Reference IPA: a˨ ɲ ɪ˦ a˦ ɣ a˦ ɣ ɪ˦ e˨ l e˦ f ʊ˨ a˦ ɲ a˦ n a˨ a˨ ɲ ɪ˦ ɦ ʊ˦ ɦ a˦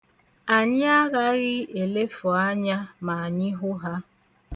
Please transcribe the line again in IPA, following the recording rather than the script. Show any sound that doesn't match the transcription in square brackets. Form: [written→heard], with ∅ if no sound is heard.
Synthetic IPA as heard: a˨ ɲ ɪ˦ a˦ ɣ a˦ ɣ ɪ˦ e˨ l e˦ f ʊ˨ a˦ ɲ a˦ [n→m] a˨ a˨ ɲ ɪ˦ ɦ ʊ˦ ɦ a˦